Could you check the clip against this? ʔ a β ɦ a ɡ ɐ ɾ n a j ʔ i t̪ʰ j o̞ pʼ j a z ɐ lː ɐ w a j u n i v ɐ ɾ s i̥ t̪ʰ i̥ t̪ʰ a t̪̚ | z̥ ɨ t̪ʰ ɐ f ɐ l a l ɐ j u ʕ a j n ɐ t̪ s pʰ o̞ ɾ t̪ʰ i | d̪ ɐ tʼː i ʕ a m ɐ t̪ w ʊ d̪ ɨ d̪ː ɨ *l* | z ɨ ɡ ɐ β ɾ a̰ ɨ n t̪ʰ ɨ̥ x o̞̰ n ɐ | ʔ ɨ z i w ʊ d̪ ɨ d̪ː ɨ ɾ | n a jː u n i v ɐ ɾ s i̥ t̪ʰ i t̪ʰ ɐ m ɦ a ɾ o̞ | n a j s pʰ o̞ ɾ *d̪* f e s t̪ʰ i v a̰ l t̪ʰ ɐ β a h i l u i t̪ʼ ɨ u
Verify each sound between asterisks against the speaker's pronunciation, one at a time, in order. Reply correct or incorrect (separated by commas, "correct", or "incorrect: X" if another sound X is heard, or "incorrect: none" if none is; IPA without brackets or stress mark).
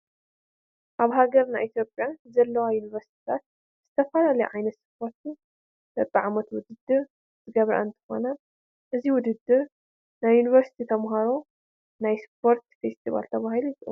incorrect: ɾ, incorrect: t̪